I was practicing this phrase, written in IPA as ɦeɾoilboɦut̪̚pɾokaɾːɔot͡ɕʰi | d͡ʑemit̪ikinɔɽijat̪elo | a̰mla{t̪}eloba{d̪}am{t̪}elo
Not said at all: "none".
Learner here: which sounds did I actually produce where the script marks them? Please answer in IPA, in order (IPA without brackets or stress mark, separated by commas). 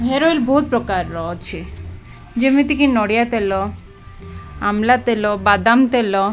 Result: t̪, d̪, t̪